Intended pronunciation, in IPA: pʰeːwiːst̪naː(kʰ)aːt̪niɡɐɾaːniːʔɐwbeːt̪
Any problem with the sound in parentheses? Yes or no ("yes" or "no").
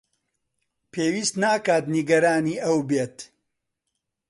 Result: yes